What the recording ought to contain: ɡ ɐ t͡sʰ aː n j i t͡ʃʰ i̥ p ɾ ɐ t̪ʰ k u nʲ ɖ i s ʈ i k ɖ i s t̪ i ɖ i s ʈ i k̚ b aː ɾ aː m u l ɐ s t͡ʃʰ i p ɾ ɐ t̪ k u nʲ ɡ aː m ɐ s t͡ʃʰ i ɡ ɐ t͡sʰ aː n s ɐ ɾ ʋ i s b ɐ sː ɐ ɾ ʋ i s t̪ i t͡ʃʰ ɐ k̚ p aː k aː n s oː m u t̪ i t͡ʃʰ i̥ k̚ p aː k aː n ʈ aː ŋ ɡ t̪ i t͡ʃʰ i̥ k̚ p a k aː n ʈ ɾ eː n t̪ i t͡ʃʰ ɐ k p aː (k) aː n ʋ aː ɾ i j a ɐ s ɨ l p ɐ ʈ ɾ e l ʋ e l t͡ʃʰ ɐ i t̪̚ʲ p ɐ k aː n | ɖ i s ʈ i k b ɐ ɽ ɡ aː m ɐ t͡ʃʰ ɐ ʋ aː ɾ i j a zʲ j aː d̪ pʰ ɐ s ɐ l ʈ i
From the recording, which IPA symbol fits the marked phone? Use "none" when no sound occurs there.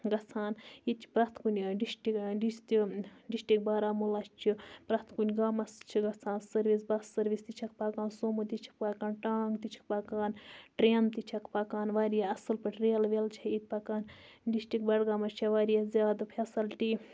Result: k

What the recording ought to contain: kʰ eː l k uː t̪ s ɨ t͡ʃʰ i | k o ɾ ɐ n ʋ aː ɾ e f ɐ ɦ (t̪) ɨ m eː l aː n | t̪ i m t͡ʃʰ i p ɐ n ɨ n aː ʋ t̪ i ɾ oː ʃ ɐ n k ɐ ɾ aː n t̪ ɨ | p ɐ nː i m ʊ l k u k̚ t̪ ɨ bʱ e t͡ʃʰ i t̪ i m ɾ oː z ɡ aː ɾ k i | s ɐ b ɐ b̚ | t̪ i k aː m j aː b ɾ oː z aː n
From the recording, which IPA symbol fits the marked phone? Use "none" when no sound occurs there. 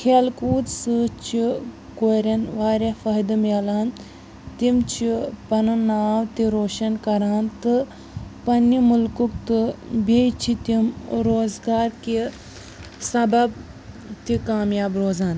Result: d̪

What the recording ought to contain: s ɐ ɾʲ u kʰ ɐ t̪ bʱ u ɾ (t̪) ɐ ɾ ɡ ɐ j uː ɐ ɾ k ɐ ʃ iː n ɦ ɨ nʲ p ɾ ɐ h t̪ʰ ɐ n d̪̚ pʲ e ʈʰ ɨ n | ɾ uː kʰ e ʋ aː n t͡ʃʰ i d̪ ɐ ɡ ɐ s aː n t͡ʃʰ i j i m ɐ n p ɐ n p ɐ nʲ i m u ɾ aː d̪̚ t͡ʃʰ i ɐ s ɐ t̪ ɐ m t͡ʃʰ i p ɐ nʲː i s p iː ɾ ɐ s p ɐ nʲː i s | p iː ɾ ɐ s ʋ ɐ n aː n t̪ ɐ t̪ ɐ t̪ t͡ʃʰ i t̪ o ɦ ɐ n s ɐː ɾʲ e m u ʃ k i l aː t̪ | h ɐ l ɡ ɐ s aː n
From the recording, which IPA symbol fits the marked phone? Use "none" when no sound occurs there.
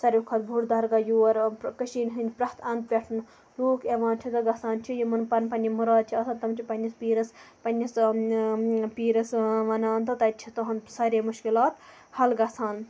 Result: d̪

